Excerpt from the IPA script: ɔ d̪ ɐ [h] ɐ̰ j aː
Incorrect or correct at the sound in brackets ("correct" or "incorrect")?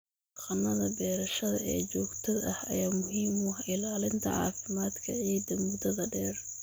correct